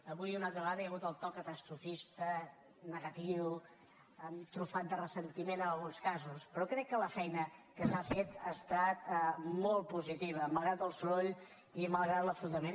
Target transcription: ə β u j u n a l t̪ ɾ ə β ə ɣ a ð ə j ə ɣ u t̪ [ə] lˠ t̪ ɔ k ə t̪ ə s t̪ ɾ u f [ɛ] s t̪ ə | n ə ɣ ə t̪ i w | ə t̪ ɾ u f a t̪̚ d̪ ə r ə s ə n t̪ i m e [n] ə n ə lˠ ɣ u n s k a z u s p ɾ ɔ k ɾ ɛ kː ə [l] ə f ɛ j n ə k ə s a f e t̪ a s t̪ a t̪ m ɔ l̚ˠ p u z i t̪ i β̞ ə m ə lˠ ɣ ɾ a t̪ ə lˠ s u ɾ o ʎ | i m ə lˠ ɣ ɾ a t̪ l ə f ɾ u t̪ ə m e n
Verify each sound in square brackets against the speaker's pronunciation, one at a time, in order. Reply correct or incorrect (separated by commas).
correct, incorrect, correct, correct